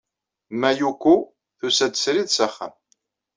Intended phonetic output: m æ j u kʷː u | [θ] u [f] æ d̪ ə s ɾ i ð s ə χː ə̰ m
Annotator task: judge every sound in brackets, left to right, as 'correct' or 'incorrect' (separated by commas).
correct, incorrect